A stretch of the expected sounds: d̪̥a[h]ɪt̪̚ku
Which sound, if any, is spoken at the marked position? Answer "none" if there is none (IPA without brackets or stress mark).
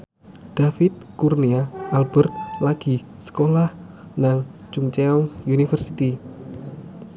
f